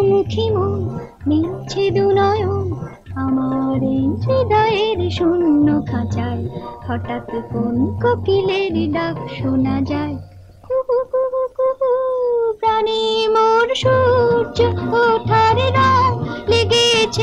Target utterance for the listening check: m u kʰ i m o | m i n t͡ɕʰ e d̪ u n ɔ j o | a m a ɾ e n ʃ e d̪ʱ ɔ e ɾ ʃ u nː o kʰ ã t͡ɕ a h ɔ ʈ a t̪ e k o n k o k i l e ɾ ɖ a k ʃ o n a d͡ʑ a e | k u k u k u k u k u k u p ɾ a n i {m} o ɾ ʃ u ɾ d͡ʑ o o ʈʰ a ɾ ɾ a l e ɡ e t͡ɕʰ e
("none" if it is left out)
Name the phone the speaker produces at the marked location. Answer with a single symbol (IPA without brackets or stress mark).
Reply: m